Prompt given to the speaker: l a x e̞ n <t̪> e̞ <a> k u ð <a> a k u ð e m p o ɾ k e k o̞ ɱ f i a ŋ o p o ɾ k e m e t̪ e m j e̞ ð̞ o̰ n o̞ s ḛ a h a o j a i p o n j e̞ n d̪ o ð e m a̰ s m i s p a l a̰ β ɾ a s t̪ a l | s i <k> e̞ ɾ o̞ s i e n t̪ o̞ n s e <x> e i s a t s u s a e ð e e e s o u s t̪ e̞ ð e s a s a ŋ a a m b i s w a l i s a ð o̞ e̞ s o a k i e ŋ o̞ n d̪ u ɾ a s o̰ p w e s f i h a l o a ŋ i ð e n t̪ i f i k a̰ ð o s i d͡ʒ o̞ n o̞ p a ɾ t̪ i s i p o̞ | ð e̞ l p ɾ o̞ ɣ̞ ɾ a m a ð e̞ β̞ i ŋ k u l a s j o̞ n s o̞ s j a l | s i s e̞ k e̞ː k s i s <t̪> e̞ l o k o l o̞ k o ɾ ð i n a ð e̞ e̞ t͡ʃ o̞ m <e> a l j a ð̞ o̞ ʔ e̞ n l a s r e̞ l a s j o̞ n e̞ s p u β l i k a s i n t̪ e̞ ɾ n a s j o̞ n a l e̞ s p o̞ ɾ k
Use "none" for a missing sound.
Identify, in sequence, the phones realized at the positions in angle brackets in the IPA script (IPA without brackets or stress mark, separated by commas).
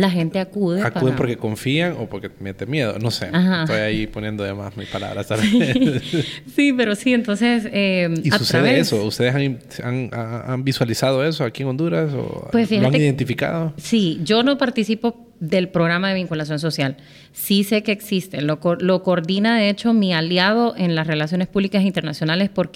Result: t̪, a, e, p, s, t̪, i